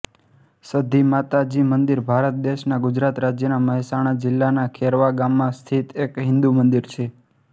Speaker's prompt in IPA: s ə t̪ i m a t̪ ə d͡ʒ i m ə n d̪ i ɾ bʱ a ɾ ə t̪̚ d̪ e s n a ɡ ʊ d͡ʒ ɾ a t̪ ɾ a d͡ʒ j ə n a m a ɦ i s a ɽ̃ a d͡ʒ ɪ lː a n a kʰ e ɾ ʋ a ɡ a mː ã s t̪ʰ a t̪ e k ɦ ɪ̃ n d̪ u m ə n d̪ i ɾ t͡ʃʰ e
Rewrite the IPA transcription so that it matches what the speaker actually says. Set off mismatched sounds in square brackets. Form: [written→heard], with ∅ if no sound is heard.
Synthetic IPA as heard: s ə [t̪→d̪] i m a t̪ [ə→a] d͡ʒ i m ə n d̪ i ɾ bʱ a ɾ ə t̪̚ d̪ e [s→ʃ] n a ɡ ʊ d͡ʒ ɾ a t̪ ɾ a d͡ʒ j ə n a m [a→ə] ɦ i s a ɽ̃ a d͡ʒ ɪ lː a n a kʰ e ɾ ʋ a ɡ a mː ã s t̪ʰ [a→i] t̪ e k ɦ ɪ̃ n d̪ u m ə n d̪ i ɾ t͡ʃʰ e